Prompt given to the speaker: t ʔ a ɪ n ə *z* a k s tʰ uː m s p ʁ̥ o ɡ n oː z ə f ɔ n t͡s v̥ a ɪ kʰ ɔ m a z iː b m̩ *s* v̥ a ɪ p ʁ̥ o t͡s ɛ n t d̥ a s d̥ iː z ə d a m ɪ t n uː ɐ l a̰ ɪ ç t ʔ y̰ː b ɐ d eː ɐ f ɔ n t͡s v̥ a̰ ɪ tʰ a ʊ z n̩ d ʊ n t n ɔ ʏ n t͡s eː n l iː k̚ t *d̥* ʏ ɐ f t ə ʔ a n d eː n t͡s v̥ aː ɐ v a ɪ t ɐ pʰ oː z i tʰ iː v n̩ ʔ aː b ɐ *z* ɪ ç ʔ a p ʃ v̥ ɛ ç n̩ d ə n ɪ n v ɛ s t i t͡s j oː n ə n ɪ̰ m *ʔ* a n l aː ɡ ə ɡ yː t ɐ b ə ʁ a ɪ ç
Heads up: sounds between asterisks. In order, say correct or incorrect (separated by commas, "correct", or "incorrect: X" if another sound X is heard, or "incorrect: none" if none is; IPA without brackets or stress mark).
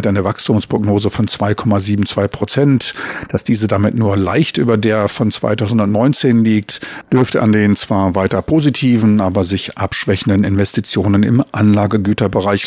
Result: incorrect: v, incorrect: t͡s, correct, correct, correct